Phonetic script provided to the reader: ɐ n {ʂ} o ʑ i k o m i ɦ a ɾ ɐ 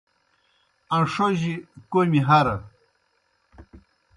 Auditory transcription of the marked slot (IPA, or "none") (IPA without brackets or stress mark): ʂ